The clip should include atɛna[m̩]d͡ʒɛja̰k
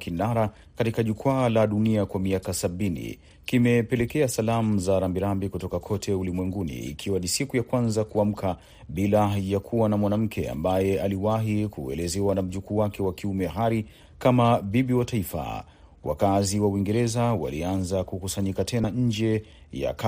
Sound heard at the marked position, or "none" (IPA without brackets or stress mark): ɲ̩